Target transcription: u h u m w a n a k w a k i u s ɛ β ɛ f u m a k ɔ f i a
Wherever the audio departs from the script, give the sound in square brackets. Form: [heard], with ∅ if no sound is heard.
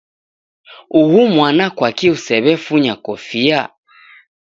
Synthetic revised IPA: u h u m w a n a k w a k i u s ɛ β ɛ f u [ɲ] a k ɔ f i a